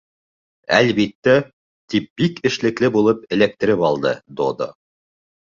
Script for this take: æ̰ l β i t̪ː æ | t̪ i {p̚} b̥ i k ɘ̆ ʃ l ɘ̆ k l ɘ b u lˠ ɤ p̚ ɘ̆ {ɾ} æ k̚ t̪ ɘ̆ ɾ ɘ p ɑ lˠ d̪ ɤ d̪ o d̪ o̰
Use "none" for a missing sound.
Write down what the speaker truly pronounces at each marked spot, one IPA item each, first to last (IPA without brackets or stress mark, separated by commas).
p̚, l